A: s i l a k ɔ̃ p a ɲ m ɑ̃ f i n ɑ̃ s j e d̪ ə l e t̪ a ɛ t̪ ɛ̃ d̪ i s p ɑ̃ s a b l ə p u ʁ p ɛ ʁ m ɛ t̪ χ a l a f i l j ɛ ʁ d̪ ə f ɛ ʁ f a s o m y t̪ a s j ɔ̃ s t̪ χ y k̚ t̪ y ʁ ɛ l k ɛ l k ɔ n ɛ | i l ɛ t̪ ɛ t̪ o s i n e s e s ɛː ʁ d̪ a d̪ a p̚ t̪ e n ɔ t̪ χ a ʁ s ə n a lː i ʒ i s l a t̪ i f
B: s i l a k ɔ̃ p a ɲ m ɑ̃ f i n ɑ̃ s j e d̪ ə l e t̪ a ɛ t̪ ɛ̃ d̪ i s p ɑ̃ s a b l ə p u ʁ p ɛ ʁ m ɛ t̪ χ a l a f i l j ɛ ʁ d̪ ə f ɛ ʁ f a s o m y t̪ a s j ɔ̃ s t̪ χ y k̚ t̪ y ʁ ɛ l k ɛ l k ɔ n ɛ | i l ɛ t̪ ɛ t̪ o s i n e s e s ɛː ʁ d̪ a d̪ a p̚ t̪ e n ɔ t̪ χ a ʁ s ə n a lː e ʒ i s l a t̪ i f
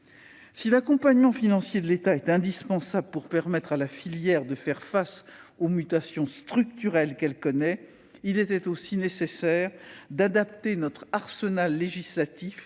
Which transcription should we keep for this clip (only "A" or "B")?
B